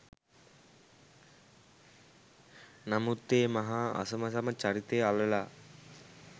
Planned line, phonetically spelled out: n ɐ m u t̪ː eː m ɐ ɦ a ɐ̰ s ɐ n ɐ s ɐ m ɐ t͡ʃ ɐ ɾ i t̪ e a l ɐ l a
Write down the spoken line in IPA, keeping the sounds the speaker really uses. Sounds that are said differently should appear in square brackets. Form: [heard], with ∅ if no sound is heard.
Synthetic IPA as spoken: n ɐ m u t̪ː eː m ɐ ɦ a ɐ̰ s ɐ [m] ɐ s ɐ m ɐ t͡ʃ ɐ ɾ i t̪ e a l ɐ l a